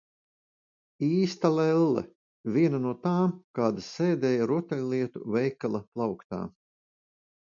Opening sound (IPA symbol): iː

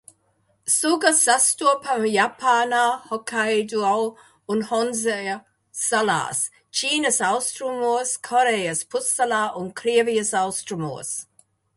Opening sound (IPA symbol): s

